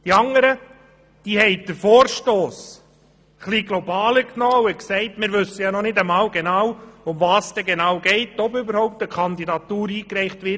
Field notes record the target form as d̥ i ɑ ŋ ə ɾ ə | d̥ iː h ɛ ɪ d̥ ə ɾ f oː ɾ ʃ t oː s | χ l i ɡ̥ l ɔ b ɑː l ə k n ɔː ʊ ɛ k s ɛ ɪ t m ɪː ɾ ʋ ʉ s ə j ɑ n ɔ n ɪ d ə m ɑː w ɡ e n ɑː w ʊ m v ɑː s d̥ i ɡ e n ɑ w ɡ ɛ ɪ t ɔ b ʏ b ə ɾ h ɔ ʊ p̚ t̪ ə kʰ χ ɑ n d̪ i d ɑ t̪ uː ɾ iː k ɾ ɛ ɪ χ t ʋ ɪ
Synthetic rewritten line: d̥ i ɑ ŋ ə ɾ ə | d̥ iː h ɛ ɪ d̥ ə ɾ f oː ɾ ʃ t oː s | χ l i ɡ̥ l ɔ b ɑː l ə k n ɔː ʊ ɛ k s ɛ ɪ t m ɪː ɾ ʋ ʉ s ə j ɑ n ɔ n ɪ d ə m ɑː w ɡ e n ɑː w ʊ m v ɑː s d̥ ɛ ɡ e n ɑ w ɡ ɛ ɪ t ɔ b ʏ b ə ɾ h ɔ ʊ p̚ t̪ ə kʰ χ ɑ n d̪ i d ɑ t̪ uː ɾ iː k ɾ ɛ ɪ χ t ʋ ɪ